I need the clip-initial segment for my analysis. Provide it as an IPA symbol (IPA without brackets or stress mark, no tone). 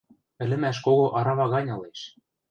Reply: ɘ̆